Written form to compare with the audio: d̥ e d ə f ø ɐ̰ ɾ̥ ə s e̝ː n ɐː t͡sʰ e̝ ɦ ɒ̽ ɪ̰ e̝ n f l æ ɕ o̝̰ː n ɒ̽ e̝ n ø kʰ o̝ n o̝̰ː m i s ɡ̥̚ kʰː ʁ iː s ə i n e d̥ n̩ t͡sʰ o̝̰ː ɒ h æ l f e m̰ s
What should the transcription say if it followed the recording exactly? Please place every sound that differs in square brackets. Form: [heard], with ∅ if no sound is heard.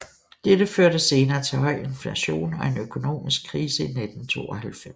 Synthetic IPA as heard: d̥ e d ə f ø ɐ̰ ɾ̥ ə s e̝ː n ɐː t͡sʰ e̝ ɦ ɒ̽ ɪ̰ e̝ n f l æ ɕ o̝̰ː n ɒ̽ e̝ n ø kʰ o̝ n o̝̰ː m i s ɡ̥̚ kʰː ʁ iː s ə i n e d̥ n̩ t͡sʰ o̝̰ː ɒ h æ l f e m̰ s